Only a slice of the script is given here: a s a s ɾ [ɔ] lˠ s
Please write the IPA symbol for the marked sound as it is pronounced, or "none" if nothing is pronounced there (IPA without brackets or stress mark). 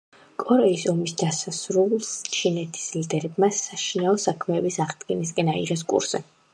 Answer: u